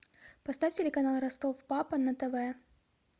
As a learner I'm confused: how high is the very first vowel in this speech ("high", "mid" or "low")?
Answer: low